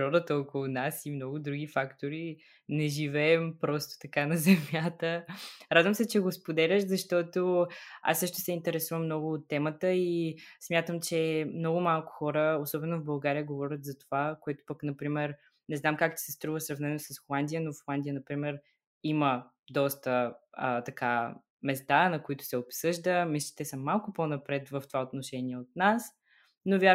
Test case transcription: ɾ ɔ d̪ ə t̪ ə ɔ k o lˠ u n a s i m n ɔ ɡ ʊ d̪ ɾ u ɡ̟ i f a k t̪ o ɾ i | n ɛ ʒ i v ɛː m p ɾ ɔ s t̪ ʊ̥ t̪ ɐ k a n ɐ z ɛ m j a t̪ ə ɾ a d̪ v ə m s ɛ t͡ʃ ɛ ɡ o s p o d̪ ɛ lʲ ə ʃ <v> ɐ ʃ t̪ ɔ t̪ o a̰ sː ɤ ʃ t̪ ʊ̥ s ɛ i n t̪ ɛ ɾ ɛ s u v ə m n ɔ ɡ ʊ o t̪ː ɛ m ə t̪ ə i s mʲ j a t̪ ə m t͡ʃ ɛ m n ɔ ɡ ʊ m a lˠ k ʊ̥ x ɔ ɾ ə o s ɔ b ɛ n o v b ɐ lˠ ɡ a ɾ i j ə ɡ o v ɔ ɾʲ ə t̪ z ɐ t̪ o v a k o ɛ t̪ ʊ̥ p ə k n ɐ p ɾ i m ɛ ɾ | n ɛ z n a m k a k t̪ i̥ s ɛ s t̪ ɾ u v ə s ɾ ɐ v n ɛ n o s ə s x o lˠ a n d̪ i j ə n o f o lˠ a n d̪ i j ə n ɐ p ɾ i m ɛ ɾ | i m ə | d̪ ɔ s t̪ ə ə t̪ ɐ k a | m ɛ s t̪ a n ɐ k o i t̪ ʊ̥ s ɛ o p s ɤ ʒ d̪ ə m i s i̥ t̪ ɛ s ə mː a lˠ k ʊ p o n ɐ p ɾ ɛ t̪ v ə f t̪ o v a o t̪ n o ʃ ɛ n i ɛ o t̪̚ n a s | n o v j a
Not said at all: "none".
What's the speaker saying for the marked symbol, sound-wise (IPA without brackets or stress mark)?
z